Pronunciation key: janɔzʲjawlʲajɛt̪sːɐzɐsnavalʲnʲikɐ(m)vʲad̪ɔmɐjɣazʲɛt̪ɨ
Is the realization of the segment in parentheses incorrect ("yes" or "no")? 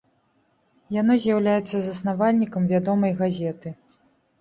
no